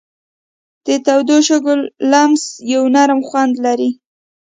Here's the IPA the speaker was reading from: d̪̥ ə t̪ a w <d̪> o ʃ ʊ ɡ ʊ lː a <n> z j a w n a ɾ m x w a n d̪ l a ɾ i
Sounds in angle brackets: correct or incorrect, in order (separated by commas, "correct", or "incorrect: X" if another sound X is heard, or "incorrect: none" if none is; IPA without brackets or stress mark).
correct, incorrect: m